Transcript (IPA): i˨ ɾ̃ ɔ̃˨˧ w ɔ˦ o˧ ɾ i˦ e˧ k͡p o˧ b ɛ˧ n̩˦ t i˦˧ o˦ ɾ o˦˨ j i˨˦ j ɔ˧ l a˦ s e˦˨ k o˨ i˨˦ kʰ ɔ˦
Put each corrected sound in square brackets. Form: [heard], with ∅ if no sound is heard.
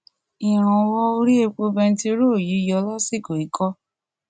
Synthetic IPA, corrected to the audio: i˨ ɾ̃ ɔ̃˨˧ w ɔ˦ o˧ ɾ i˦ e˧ k͡p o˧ b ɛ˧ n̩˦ t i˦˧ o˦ ɾ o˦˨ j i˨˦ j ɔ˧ l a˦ s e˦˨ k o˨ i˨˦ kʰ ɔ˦